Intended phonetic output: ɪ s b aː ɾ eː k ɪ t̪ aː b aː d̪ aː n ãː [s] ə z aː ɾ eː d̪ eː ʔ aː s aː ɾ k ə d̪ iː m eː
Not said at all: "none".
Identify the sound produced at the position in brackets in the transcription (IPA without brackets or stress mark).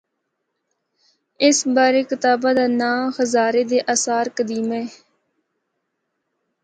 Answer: x